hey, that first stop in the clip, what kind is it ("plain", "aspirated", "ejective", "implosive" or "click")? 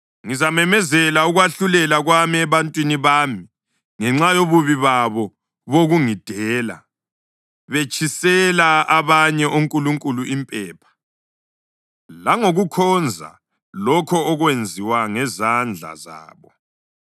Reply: ejective